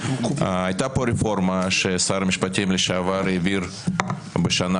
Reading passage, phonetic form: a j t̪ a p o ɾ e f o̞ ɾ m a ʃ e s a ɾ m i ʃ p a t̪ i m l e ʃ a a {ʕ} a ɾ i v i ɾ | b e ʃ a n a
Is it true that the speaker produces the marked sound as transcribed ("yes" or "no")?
no